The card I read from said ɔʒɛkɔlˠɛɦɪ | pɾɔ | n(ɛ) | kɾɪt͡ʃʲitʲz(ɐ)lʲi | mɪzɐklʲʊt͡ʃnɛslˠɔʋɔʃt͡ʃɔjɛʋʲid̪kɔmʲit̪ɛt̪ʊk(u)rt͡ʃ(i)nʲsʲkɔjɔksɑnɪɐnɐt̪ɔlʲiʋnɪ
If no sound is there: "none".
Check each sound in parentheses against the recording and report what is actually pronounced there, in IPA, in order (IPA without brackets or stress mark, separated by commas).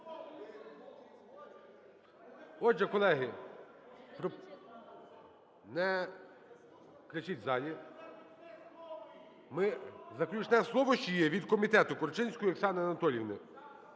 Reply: ɛ, ɑ, ɔ, ɪ